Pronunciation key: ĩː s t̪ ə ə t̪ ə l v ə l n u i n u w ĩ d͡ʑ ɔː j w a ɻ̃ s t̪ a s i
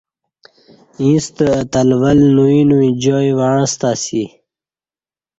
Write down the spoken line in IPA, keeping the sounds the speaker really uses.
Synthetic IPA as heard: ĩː s t̪ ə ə t̪ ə l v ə l n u i n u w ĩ d͡ʑ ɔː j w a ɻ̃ s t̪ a s i